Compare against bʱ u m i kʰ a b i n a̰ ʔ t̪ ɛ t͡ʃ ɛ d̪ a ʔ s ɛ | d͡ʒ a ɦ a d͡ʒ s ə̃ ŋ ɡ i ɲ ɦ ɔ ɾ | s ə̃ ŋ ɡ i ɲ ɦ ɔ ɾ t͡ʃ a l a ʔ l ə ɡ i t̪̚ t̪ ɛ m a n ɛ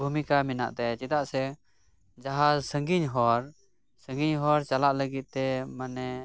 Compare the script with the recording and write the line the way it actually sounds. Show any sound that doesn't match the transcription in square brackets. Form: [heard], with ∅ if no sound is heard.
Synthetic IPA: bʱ u m i [k] a [m] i n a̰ ʔ t̪ ɛ t͡ʃ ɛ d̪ a ʔ s ɛ | d͡ʒ a ɦ a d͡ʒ s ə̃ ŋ ɡ i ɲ ɦ ɔ ɾ | s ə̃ ŋ ɡ i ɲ ɦ ɔ ɾ t͡ʃ a l a ʔ l ə ɡ i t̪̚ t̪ ɛ m a n ɛ